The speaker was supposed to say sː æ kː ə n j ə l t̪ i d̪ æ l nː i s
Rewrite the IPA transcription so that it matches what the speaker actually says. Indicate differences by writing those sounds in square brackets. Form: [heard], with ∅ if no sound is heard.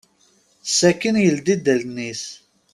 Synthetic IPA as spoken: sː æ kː ə n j ə l [d̪] i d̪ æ l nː i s